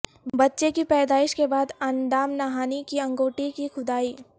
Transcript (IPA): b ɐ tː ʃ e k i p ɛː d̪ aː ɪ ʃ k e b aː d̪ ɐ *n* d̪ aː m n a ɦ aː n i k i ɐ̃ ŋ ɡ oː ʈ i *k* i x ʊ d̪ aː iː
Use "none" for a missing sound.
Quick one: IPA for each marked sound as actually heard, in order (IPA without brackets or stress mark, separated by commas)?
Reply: n, k